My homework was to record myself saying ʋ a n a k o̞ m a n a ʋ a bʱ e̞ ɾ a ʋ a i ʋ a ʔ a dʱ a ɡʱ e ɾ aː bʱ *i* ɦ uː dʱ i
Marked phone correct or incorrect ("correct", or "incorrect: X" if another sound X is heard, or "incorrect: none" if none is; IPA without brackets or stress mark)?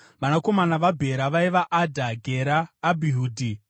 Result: correct